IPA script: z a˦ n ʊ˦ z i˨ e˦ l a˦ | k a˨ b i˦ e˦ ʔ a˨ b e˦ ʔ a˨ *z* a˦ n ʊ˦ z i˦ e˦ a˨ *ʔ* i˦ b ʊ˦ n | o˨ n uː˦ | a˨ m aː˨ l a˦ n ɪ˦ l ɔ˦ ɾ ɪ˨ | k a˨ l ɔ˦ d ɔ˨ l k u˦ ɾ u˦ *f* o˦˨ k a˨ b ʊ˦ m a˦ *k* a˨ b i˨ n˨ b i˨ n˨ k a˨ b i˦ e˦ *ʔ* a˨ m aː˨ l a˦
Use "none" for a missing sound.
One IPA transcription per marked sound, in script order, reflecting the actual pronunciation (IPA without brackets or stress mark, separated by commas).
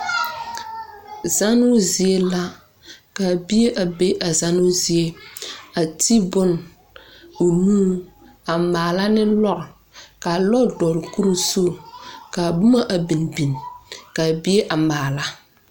z, t, s, ʔ, ʔ